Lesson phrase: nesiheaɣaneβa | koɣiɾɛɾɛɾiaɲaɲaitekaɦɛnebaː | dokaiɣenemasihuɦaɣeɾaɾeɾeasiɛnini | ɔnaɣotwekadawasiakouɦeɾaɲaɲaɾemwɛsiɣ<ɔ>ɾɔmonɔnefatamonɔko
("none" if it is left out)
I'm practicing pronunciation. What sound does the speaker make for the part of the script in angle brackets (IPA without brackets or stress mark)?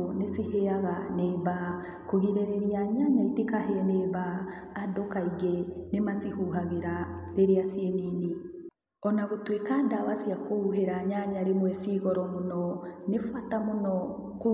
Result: ɔ